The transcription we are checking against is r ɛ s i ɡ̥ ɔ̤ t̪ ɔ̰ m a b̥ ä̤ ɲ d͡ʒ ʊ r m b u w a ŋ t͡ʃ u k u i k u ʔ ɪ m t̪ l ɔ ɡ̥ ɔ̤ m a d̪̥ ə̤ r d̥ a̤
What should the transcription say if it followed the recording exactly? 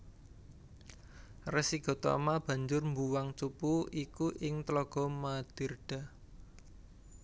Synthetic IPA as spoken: r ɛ s i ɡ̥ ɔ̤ t̪ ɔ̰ m a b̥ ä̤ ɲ d͡ʒ ʊ r m b u w a ŋ t͡ʃ u p u i k u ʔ ɪ ŋ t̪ l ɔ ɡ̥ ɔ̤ m a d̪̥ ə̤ r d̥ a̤